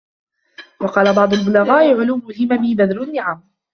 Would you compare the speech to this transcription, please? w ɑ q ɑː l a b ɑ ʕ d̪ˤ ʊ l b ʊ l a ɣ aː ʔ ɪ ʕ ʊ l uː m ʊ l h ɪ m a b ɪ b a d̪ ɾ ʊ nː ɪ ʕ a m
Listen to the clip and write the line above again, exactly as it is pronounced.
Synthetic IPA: w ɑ q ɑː l a b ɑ ʕ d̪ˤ ʊ l b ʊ l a ɣ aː ʔ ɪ ʕ ʊ l uː m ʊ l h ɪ m a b ɪ b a d̪ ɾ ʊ nː ɪ ʕ a m